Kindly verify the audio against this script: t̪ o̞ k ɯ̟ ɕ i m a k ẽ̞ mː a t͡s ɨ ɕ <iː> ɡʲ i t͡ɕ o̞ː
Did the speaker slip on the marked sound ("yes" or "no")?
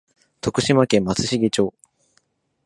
yes